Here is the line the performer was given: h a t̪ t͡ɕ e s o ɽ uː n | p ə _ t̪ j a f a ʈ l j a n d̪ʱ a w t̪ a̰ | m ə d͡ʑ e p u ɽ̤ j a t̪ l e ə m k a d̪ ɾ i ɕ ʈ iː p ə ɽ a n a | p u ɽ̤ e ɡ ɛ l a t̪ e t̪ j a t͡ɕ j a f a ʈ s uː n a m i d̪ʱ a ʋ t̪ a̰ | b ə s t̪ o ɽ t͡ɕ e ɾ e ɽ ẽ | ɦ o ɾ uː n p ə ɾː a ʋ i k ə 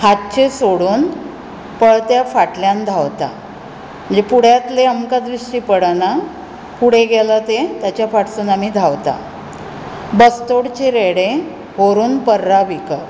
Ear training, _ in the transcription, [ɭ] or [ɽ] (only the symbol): ɭ